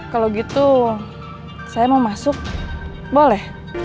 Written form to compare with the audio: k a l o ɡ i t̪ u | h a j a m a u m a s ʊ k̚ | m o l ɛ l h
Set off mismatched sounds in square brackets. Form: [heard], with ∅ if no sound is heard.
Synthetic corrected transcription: k a l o ɡ i t̪ u | [s] a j a m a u m a s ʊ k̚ | [b] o l ɛ [∅] h